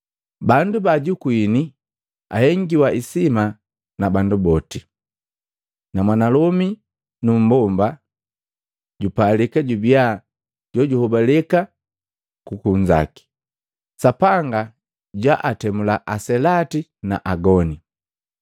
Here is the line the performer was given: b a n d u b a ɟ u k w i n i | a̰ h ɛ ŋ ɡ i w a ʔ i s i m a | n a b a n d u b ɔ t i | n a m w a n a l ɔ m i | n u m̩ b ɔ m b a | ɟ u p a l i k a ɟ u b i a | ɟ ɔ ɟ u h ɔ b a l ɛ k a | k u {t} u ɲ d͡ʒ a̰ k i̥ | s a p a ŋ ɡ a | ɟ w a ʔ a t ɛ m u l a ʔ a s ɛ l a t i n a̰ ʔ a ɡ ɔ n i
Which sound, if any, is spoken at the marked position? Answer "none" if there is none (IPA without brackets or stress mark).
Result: k